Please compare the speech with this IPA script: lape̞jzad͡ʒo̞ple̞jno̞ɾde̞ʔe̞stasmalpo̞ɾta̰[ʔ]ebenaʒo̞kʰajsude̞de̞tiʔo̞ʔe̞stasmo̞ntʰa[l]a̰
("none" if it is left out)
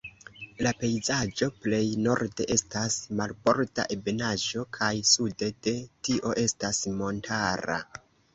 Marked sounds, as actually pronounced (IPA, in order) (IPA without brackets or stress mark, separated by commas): ʔ, ɾ